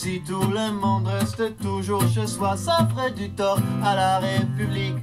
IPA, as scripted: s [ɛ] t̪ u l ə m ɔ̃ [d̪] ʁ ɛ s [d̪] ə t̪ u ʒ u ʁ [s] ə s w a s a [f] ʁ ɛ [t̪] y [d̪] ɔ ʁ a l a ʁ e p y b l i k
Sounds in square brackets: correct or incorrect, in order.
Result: incorrect, correct, incorrect, incorrect, correct, incorrect, incorrect

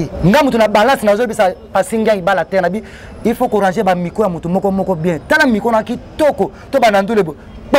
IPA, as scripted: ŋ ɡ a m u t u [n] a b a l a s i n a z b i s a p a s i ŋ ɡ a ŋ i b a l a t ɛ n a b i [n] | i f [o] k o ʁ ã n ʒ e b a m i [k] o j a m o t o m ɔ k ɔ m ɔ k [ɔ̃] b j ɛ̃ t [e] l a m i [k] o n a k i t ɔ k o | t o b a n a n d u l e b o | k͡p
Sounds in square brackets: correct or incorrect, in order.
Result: correct, incorrect, correct, correct, incorrect, incorrect, correct

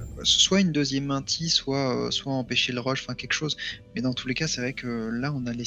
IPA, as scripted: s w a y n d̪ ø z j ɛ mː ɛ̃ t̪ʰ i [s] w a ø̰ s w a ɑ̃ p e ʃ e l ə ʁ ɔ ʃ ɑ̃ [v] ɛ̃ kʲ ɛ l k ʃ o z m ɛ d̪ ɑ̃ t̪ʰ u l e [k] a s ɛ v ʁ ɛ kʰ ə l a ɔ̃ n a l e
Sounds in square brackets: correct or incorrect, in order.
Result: correct, incorrect, correct

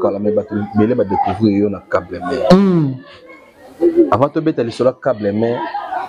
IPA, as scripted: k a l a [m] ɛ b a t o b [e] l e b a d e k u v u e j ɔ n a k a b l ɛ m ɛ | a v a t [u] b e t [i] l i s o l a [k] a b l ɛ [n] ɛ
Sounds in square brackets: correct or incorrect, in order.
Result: correct, correct, incorrect, incorrect, correct, incorrect

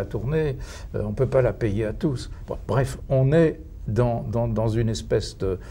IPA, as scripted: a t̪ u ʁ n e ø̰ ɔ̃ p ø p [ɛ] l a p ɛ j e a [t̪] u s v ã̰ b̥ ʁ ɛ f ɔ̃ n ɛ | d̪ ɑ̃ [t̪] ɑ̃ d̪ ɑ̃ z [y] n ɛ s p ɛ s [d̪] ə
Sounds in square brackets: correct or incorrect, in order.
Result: incorrect, correct, incorrect, correct, correct

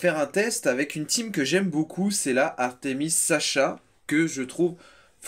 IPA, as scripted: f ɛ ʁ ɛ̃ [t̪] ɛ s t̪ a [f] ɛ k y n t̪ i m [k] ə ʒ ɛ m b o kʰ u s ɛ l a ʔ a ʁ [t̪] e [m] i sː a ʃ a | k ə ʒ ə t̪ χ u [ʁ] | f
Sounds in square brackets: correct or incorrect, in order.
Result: correct, incorrect, correct, correct, correct, incorrect

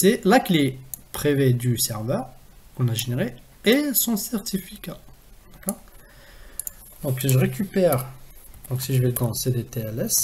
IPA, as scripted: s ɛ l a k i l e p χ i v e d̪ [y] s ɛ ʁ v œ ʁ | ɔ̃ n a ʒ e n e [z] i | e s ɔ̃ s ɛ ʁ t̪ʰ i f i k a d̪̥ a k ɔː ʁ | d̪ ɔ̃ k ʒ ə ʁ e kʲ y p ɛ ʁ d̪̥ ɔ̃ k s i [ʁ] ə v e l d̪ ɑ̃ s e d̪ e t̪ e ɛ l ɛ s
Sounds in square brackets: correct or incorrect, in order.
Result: correct, incorrect, incorrect

